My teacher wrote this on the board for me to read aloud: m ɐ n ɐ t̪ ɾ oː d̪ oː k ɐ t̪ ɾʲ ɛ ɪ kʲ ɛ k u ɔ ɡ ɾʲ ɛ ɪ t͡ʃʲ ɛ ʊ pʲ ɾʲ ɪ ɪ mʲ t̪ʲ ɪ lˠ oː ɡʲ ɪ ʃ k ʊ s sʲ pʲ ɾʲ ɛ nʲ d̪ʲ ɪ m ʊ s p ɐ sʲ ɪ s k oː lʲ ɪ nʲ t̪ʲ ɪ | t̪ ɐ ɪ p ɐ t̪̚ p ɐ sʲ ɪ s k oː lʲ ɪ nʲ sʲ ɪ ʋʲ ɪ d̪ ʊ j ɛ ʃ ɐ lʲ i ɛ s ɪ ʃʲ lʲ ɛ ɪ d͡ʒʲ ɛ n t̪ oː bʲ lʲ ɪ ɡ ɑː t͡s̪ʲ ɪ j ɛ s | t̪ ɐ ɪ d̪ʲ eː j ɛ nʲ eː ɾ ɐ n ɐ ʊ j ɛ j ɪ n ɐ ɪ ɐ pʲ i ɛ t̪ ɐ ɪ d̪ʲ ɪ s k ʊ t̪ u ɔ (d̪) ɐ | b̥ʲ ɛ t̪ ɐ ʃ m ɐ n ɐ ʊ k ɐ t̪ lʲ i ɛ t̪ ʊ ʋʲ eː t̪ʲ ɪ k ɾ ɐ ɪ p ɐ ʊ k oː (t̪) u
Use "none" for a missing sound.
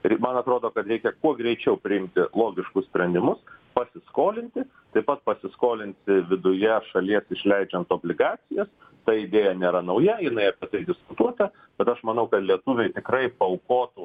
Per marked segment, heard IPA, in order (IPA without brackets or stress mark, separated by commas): t̪, t̪